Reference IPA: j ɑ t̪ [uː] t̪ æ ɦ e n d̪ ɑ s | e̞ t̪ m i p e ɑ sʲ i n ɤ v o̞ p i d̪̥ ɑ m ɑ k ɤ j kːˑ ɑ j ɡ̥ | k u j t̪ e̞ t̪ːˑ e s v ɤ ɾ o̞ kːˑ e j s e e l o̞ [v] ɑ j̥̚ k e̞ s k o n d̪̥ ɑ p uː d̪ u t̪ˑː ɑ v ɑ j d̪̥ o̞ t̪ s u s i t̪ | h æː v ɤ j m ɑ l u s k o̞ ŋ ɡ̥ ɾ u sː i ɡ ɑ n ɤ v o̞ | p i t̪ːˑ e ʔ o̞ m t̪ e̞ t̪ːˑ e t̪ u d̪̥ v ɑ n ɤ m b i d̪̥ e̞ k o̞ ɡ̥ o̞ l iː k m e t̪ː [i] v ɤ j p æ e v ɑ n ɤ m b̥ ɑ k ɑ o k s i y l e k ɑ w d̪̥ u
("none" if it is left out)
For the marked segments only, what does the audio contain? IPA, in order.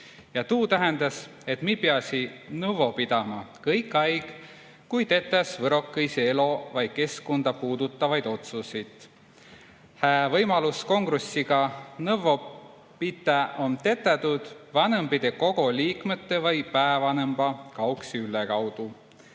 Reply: uː, v, e

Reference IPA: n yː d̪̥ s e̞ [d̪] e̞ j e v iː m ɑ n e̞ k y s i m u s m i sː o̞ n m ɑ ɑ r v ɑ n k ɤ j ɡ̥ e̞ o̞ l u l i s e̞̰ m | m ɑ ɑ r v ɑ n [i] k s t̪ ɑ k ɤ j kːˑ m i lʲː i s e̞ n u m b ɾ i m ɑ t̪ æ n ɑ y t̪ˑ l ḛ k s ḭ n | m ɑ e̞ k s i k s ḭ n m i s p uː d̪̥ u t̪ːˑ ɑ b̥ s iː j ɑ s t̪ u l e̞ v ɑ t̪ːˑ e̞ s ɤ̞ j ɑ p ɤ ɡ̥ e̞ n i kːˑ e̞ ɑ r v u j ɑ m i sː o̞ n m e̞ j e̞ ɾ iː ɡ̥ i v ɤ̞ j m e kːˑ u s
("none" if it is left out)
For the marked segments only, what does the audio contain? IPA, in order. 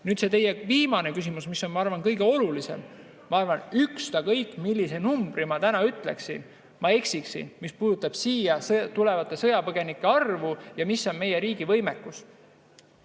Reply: t̪, y

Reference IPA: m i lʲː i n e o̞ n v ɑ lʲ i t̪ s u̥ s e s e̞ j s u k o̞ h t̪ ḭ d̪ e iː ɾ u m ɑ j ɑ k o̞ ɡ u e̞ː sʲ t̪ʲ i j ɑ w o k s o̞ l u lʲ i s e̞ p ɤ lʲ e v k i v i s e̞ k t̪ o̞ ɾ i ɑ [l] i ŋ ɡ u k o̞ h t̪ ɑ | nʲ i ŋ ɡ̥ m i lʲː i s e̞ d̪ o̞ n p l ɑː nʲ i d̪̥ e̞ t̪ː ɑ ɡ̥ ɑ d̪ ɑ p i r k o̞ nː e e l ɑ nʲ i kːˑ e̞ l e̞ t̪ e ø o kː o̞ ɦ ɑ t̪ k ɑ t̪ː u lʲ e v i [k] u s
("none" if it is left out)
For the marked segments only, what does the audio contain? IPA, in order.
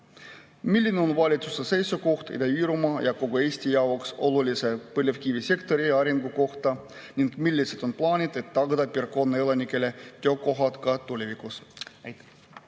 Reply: ɾ, k

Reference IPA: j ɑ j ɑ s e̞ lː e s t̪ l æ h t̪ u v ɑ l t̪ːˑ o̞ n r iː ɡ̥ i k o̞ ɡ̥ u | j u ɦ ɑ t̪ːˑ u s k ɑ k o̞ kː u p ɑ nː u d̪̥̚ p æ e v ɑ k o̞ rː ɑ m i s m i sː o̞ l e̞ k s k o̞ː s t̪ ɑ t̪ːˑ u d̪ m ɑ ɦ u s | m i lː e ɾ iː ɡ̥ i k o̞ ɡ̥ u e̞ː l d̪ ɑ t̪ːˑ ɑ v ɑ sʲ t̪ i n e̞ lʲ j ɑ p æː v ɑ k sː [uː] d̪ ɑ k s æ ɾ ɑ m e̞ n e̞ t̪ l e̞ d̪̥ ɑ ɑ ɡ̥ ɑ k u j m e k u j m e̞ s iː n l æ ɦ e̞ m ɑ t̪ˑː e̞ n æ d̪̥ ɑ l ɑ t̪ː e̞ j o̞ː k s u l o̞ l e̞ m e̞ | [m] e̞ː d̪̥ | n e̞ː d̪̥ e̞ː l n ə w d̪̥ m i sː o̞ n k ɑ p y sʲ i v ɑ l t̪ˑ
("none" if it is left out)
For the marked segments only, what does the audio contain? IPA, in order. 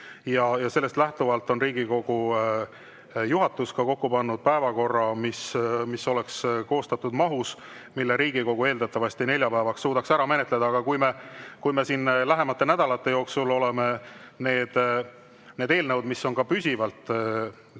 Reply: uː, n

